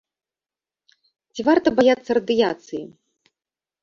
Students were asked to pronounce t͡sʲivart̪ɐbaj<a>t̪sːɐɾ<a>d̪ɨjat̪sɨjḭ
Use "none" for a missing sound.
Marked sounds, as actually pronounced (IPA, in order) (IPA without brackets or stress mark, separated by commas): a, ɐ